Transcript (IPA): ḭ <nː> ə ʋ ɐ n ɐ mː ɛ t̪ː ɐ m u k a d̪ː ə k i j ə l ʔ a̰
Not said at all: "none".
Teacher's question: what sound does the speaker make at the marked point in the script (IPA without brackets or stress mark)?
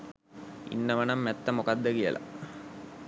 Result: nː